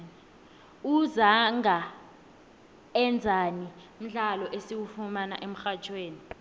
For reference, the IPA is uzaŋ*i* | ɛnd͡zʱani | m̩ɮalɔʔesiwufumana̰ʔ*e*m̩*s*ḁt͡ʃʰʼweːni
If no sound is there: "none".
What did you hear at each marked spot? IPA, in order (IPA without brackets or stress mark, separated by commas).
a, e, x